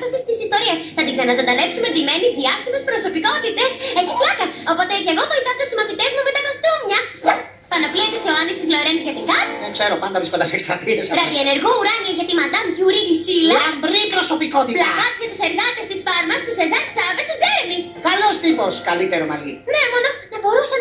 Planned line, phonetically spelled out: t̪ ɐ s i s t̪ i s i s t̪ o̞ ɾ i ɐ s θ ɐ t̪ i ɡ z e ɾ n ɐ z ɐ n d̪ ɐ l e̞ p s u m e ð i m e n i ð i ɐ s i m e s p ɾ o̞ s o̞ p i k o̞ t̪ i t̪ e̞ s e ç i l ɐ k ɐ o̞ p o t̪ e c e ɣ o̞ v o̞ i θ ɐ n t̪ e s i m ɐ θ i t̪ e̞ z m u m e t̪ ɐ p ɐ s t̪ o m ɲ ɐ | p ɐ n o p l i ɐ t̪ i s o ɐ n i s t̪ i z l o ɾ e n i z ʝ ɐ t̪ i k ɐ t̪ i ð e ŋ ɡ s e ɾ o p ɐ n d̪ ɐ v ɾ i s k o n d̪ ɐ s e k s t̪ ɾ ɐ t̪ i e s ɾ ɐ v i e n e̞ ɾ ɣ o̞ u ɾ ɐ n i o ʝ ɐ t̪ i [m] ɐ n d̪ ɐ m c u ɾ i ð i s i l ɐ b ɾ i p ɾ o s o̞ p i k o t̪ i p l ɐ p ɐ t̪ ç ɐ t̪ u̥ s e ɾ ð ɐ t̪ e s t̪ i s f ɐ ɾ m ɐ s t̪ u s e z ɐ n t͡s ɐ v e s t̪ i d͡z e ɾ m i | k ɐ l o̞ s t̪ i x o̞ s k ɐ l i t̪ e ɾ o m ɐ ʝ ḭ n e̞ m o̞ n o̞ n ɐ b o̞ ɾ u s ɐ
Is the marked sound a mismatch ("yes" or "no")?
no